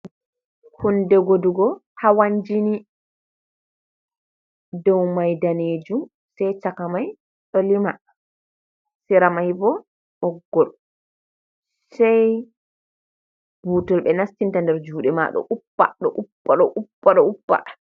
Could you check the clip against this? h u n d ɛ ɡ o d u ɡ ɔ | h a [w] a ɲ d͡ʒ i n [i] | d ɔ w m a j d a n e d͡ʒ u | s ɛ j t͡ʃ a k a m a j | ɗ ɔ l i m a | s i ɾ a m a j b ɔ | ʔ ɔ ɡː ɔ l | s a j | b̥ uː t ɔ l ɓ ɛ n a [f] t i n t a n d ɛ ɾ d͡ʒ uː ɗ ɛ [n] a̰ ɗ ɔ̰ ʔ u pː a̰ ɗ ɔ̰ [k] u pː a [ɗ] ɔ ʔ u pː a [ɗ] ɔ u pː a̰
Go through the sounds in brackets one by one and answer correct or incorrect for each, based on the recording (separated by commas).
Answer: correct, correct, incorrect, incorrect, incorrect, correct, correct